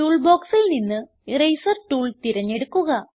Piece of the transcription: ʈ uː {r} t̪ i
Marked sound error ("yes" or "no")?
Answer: yes